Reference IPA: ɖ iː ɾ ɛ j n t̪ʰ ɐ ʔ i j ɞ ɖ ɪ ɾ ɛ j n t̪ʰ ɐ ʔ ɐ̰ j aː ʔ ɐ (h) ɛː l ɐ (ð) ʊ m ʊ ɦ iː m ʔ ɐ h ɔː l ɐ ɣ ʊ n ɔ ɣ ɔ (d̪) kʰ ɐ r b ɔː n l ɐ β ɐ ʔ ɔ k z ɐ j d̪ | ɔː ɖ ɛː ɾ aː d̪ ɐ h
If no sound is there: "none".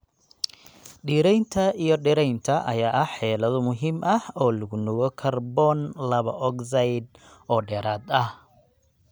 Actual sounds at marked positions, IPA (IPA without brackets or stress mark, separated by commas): ħ, ð, none